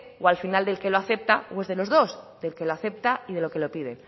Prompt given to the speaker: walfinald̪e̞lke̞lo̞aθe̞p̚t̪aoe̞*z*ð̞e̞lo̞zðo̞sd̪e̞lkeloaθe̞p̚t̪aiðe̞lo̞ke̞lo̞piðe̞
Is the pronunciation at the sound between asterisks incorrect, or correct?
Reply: correct